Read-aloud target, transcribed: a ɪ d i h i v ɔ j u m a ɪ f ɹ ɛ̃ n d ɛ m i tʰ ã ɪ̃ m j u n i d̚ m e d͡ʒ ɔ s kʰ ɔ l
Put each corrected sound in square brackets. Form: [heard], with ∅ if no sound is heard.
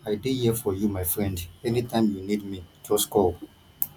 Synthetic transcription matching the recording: a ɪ d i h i [f] ɔ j u m a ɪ f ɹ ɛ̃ n d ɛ [n] i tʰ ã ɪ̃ m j u n i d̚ m [i] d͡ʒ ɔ s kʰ ɔ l